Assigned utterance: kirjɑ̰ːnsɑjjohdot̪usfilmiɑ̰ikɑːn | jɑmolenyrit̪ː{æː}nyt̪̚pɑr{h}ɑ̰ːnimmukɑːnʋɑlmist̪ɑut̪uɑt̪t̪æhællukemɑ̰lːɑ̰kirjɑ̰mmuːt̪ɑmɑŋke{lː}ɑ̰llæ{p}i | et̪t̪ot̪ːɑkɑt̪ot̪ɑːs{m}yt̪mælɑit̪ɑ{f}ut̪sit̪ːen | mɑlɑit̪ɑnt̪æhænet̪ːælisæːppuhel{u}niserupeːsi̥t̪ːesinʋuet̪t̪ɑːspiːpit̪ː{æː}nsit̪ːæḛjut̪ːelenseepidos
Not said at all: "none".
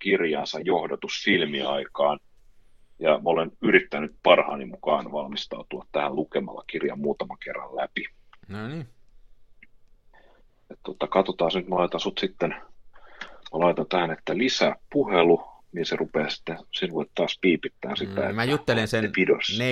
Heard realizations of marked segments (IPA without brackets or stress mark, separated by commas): æ, h, rː, p, n, s, u, æː